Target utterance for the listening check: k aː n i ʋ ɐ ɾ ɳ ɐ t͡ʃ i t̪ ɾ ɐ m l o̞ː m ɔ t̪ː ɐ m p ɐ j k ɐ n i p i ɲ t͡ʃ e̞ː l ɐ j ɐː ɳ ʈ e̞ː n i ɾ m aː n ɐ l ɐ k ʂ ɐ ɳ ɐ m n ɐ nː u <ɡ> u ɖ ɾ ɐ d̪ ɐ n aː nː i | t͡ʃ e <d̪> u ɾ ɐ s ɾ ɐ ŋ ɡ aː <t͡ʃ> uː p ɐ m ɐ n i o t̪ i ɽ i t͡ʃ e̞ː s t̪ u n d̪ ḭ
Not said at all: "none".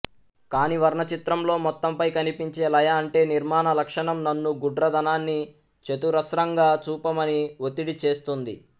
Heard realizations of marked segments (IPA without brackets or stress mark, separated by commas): ɡ, t̪, t͡ʃ